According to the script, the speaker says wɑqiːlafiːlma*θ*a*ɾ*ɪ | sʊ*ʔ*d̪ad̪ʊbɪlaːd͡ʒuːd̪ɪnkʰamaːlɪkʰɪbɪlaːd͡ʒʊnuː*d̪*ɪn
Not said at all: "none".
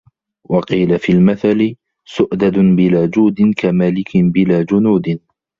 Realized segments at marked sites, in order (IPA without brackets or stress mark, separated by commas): θ, l, ʔ, d̪